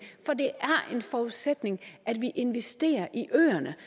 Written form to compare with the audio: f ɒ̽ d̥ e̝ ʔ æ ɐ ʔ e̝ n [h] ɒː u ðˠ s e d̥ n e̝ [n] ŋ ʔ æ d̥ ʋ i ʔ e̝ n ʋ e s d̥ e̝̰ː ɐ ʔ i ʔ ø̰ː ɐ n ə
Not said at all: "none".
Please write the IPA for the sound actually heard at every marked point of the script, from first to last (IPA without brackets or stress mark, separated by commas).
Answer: f, none